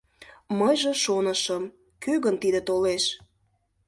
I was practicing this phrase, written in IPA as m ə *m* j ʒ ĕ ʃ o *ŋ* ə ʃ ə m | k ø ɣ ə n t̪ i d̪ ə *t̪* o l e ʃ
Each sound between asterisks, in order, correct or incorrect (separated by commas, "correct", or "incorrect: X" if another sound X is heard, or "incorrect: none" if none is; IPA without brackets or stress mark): incorrect: none, incorrect: n, correct